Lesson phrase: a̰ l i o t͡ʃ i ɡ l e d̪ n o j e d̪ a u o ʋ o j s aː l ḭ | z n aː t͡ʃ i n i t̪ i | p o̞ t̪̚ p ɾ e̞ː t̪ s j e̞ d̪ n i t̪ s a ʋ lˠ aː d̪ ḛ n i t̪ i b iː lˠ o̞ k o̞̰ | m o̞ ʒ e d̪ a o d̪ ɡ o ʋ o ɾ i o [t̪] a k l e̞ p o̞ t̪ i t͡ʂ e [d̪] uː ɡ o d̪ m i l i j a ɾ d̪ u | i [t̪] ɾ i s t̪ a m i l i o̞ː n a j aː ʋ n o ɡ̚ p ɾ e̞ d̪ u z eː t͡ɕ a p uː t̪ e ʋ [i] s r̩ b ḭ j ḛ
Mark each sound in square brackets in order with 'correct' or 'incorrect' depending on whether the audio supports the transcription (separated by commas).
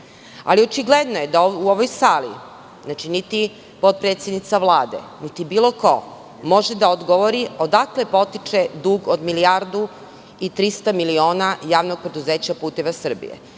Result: incorrect, correct, correct, incorrect